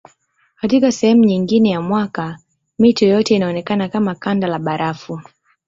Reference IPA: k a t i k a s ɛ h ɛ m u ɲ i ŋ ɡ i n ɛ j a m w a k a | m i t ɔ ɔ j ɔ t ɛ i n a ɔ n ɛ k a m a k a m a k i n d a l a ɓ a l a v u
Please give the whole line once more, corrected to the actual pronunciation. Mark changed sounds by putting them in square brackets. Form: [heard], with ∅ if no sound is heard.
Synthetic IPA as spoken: k a t i k a s ɛ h ɛ m u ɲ i ŋ ɡ i n ɛ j a m w a k a | m i t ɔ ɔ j ɔ t ɛ i n a ɔ n ɛ k a [n] a k a m a k [a] n d a l a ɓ a [ɾ] a [f] u